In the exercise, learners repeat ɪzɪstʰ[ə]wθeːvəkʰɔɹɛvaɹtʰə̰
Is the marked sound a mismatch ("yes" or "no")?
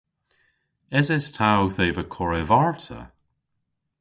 yes